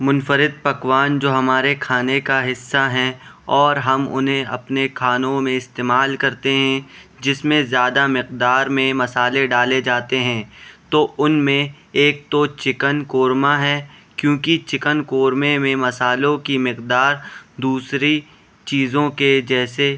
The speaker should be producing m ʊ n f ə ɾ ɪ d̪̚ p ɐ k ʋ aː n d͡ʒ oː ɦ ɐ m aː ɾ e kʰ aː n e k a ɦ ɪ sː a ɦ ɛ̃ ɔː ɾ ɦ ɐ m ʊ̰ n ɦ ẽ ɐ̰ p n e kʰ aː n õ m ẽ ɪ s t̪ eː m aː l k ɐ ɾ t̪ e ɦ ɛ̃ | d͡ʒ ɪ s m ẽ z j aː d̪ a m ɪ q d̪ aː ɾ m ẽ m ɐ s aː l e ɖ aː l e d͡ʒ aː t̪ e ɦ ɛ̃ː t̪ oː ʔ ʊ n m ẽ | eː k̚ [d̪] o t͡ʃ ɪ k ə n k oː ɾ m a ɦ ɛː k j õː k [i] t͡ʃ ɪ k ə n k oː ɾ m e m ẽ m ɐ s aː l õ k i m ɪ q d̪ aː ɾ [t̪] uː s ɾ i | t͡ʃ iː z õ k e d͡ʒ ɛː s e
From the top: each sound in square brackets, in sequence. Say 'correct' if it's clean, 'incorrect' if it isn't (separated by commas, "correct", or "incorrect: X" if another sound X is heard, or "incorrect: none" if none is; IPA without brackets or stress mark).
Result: incorrect: t̪, correct, incorrect: d̪